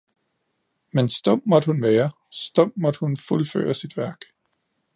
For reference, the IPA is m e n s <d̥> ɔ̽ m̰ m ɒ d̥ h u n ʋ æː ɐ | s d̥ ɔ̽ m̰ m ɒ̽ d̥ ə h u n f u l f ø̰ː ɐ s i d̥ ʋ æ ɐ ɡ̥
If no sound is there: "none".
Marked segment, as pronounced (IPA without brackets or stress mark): d̥